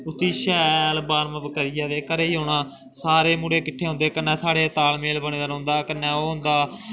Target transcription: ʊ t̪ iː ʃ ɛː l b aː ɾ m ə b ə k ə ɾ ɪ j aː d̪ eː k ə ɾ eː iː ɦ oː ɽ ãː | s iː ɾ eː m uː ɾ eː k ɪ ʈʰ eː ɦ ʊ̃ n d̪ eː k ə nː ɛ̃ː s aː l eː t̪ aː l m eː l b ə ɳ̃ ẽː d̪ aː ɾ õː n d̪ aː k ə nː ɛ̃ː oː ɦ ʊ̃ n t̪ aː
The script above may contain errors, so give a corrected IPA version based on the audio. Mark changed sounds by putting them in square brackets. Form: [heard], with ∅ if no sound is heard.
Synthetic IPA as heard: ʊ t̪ iː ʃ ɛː l b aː ɾ m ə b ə k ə ɾ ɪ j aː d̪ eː k ə ɾ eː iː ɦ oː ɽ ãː | s [aː] ɾ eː m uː [ɽ] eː k ɪ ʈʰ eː ɦ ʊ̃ n d̪ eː k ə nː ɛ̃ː s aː [ɽ] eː t̪ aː l m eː l b ə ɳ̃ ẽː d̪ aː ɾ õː n d̪ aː k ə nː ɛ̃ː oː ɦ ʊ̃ n [d̪] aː

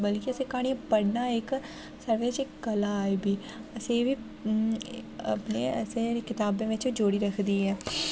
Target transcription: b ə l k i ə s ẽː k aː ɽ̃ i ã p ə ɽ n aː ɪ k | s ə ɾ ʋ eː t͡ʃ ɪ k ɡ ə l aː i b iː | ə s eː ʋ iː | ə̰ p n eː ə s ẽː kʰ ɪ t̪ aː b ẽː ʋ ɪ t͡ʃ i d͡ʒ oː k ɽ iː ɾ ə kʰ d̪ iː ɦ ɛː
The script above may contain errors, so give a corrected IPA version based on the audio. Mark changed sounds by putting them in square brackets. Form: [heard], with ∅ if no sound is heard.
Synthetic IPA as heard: b ə l k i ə s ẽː k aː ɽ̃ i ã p ə ɽ n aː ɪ k | s ə ɾ ʋ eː t͡ʃ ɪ k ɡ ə l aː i b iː | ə s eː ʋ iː | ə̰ p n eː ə s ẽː [k] ɪ t̪ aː b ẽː ʋ ɪ t͡ʃ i d͡ʒ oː [∅] ɽ iː ɾ ə kʰ d̪ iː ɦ ɛː

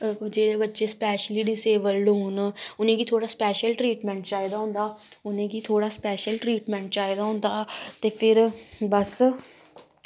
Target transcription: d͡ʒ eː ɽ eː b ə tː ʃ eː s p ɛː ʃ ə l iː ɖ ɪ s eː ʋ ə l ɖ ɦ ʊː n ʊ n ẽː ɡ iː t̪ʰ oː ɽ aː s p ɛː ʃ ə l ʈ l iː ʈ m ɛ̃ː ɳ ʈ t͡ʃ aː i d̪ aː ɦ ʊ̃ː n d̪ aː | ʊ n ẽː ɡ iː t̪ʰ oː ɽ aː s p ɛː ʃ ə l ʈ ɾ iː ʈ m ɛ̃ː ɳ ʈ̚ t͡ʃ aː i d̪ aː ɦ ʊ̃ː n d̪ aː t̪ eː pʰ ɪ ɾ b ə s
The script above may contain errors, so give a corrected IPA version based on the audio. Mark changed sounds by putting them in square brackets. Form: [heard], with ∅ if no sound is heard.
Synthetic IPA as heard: d͡ʒ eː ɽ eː b ə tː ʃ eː s p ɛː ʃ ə l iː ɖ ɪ s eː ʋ ə l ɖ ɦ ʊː n ʊ n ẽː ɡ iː t̪ʰ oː ɽ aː s p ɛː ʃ ə l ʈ [ɾ] iː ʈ m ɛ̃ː ɳ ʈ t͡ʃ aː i d̪ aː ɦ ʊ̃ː n d̪ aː | ʊ n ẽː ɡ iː t̪ʰ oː ɽ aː s p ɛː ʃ ə l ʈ ɾ iː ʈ m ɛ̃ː ɳ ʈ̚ t͡ʃ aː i d̪ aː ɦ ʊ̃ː n d̪ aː t̪ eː pʰ ɪ ɾ b ə s

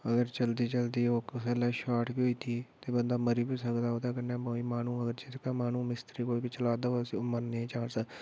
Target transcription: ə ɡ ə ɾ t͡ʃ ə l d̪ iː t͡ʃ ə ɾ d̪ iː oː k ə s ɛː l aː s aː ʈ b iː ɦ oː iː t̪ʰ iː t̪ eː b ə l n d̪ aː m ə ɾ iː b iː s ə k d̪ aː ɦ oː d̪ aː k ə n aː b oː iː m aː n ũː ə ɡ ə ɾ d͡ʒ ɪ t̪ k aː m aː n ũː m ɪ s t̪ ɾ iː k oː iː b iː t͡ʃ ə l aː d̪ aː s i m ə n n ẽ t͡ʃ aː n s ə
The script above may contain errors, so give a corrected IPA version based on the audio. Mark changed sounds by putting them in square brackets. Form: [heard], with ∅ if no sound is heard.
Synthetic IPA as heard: ə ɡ ə ɾ t͡ʃ ə l d̪ iː t͡ʃ ə [l] d̪ iː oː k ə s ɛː l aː [ʃ] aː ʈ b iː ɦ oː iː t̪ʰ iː t̪ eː b ə [∅] n d̪ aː m ə ɾ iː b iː s ə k d̪ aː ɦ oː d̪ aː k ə n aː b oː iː m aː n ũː ə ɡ ə ɾ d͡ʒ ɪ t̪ k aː m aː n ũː m ɪ s t̪ ɾ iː k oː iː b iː t͡ʃ ə l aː d̪ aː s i m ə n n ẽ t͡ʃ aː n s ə

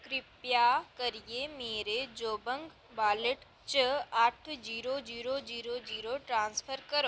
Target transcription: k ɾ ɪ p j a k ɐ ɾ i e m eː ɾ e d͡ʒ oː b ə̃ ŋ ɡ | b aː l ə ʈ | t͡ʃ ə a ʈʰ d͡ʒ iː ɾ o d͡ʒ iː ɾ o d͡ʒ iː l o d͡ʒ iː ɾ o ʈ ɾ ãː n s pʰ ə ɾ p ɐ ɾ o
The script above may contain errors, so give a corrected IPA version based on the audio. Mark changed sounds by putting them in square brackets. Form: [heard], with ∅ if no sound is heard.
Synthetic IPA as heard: k ɾ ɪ p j a k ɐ ɾ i e m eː ɾ e d͡ʒ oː b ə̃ ŋ ɡ | b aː l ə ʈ | t͡ʃ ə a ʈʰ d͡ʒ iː ɾ o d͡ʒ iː ɾ o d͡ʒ iː [ɾ] o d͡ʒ iː ɾ o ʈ ɾ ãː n s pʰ ə ɾ [k] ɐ ɾ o

